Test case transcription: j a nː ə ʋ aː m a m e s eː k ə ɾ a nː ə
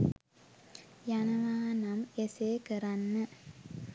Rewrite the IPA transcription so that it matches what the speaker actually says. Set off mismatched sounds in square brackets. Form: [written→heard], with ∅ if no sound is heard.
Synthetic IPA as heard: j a [nː→n] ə ʋ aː [m→n] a m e s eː k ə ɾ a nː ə